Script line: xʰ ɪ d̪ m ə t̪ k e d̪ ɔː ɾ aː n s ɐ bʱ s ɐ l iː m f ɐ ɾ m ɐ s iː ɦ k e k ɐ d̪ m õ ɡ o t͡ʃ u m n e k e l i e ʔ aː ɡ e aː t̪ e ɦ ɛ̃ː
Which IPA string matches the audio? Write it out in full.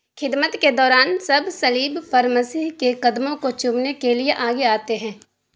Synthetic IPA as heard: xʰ ɪ d̪ m ə t̪ k e d̪ ɔː ɾ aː n s ɐ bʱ s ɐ l iː b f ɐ ɾ m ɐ s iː ɦ k e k ɐ d̪ m õ k o t͡ʃ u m n e k e l i e ʔ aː ɡ e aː t̪ e ɦ ɛ̃ː